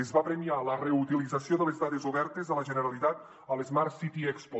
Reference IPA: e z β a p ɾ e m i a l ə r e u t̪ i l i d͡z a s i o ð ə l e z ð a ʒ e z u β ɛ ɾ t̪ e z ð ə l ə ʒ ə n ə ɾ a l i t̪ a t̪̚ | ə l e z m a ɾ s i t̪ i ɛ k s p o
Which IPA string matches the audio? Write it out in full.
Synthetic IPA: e z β a p ɾ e m i a l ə r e u t̪ i l i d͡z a s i o ð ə l e z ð a ð e z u β ɛ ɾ t̪ e z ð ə l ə ʒ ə n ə ɾ a l i t̪ a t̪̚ | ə l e z m a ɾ s i t̪ i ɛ k s p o